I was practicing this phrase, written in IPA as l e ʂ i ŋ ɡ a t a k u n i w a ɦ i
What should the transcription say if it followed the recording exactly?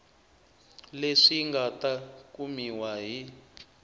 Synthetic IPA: l e ʂ i ŋ ɡ a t a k u m i w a ɦ i